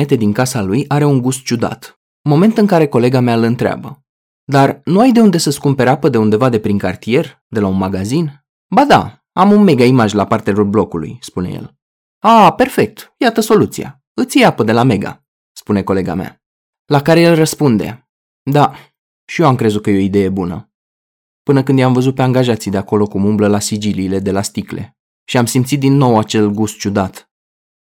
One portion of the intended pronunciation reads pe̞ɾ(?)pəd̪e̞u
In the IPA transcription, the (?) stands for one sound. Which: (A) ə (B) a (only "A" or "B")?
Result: B